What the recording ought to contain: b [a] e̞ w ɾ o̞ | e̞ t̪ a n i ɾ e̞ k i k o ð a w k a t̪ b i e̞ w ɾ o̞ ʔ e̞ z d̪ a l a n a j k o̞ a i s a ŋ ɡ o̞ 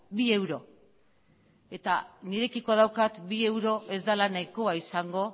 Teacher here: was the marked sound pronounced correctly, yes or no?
no